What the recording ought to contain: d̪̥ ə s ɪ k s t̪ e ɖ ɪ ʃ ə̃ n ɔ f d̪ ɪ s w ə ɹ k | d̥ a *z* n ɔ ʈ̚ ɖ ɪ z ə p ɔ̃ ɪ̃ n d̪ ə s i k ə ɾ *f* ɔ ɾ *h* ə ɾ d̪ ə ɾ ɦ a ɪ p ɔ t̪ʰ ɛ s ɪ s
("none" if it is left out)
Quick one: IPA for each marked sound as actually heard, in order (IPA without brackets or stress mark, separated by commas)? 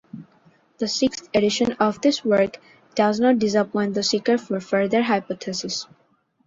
z, f, f